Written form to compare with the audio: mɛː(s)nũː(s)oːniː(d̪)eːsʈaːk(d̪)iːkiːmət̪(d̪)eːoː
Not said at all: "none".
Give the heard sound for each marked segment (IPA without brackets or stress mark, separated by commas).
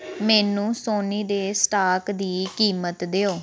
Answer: none, s, d̪, d̪, d̪